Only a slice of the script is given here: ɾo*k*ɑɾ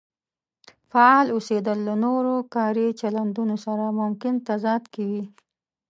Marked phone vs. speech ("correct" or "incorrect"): correct